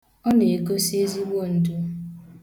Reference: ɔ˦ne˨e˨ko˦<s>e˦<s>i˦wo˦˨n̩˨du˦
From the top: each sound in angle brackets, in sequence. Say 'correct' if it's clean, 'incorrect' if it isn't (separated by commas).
correct, incorrect